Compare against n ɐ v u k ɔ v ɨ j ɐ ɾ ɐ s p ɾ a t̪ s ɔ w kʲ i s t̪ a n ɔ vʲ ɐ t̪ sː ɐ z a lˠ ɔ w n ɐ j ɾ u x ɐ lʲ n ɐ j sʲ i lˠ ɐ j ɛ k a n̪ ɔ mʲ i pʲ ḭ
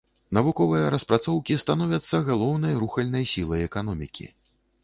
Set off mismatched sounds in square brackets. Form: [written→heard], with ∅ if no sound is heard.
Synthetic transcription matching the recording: n ɐ v u k ɔ v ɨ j ɐ ɾ ɐ s p ɾ a t̪ s ɔ w kʲ i s t̪ a n ɔ vʲ ɐ t̪ sː ɐ [z→ɣ] a lˠ ɔ w n ɐ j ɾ u x ɐ lʲ n ɐ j sʲ i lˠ ɐ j ɛ k a n̪ ɔ mʲ i [pʲ→kʲ] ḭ